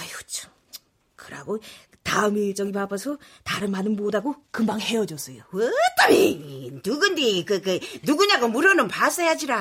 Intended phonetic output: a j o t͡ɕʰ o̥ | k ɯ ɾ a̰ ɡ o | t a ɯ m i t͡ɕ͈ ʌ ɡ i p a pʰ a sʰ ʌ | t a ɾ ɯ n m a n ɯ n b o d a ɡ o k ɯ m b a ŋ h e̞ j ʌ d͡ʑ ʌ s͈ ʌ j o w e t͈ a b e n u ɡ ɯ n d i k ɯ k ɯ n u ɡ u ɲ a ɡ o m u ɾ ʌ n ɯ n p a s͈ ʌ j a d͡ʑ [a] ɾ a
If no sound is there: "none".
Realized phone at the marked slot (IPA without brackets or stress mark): i